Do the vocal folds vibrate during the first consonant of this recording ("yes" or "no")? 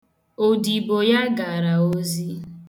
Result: yes